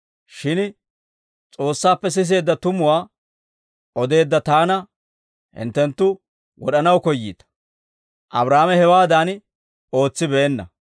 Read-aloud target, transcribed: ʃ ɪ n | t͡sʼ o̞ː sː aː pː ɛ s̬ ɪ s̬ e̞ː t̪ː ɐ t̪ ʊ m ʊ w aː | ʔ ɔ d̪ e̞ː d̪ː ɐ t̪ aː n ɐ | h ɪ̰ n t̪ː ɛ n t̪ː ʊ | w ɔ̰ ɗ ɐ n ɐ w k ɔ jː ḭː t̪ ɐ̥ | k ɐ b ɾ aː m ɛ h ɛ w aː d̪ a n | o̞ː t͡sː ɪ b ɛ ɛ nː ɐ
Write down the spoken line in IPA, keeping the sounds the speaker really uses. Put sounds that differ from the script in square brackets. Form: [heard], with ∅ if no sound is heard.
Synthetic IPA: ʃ ɪ n | t͡sʼ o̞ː sː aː pː ɛ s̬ ɪ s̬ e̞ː [d̪ː] ɐ t̪ ʊ m ʊ w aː | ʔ ɔ d̪ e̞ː d̪ː ɐ t̪ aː n ɐ | h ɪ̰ n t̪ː ɛ n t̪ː ʊ | w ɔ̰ ɗ ɐ n ɐ w k ɔ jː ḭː t̪ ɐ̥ | [ʔ] ɐ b ɾ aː m ɛ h ɛ w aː d̪ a n | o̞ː t͡sː ɪ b ɛ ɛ nː ɐ